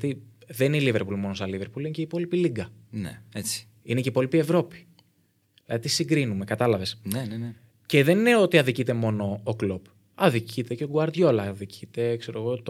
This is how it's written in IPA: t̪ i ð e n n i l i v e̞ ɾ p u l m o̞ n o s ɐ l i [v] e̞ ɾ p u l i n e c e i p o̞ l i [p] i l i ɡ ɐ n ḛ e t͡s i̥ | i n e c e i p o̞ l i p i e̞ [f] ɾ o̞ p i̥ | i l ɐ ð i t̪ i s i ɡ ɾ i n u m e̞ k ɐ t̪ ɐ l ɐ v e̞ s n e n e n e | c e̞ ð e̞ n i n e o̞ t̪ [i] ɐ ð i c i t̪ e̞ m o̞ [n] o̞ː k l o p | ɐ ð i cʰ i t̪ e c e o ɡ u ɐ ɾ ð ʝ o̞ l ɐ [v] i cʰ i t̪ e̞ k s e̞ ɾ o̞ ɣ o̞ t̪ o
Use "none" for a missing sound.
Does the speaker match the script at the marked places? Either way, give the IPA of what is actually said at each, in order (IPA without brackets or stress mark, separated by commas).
v, p, v, i, n, ð